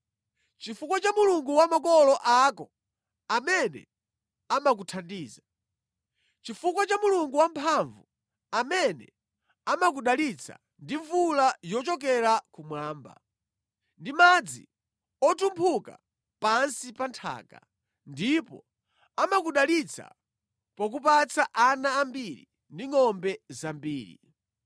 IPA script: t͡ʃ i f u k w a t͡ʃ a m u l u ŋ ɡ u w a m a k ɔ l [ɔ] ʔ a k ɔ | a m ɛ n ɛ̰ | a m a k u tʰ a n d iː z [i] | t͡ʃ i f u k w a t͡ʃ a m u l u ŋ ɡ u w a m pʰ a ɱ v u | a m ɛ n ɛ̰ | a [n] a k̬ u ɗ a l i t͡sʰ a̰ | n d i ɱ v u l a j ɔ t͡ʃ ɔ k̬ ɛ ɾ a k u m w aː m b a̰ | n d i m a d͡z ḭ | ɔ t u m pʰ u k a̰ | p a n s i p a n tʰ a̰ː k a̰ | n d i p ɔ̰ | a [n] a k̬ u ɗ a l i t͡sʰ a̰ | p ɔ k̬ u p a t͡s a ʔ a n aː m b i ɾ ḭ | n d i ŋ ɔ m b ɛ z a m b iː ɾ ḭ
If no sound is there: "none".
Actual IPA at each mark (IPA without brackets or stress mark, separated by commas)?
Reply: ɔ, a, m, m